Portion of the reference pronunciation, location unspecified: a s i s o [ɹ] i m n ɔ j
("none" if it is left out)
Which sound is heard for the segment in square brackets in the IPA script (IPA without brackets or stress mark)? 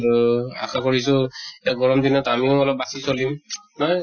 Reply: l